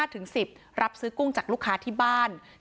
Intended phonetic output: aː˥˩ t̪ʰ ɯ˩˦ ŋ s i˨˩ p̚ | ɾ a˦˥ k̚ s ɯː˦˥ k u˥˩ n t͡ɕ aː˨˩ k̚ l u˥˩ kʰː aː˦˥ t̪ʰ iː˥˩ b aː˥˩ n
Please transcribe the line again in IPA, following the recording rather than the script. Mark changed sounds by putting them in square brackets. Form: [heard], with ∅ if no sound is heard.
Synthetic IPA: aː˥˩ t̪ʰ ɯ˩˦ ŋ s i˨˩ p̚ | ɾ a˦˥ [p̚] s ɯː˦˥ k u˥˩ [ŋ] t͡ɕ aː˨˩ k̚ l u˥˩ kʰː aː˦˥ t̪ʰ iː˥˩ b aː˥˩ n